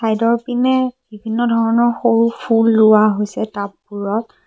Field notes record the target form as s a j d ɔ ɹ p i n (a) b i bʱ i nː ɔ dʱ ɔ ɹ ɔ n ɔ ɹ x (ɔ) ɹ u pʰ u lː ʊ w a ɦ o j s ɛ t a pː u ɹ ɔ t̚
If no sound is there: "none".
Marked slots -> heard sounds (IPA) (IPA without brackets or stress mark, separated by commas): ɛ, o